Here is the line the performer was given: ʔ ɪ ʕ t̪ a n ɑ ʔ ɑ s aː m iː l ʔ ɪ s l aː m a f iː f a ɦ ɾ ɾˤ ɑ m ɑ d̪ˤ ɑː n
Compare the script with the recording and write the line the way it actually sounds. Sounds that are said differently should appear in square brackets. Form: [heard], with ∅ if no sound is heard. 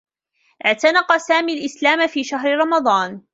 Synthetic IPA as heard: ʔ ɪ ʕ t̪ a n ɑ [q] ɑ s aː m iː l ʔ ɪ s l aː m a f iː [ʃ] a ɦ ɾ ɾˤ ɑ m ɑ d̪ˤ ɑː n